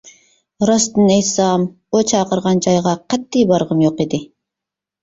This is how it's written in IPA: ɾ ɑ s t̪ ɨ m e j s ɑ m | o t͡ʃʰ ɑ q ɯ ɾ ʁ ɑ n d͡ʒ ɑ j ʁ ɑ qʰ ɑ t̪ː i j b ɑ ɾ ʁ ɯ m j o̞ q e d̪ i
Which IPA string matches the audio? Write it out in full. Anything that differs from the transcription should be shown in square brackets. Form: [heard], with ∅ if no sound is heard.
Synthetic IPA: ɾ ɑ s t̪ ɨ [n] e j s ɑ m | o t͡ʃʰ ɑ q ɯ ɾ ʁ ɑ n d͡ʒ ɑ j ʁ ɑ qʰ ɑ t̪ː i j b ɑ ɾ ʁ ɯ m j o̞ q e d̪ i